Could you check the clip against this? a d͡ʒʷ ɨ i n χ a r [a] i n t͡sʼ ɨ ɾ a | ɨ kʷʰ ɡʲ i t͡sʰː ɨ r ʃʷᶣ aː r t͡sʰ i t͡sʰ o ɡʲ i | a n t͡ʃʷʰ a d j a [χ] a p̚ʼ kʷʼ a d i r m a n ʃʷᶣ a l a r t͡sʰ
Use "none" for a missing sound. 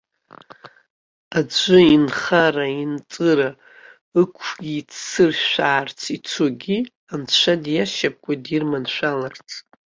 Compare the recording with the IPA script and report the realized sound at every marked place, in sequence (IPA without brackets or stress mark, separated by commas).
a, ʃ